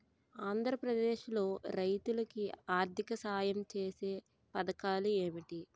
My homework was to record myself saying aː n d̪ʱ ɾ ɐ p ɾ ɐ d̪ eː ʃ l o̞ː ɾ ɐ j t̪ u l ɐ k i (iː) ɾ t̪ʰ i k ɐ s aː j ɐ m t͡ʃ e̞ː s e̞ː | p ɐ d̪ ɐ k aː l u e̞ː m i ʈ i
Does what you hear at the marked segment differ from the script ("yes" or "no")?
yes